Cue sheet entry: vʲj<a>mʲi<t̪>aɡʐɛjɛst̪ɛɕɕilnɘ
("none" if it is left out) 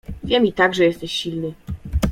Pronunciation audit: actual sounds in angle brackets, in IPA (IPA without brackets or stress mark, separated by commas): ɛ, t̪